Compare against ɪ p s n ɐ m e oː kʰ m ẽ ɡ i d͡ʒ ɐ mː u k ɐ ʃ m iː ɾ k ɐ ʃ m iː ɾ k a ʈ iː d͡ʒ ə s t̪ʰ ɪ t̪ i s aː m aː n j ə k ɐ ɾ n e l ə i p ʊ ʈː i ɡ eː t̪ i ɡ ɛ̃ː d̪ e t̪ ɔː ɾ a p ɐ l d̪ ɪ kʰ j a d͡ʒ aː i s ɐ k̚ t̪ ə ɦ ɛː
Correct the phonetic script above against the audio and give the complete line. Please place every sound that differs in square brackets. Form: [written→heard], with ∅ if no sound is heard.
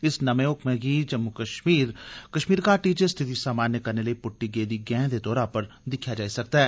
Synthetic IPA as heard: ɪ [p→∅] s n ɐ m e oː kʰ m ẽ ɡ i d͡ʒ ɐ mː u k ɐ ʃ m iː ɾ k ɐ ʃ m iː ɾ k a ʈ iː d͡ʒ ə s t̪ʰ ɪ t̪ i s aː m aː n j ə k ɐ ɾ n e l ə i p ʊ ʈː i ɡ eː [t̪→d̪] i ɡ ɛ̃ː d̪ e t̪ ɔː ɾ a p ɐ [l→ɾ] d̪ ɪ kʰ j a d͡ʒ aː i s ɐ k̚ t̪ [ə→a] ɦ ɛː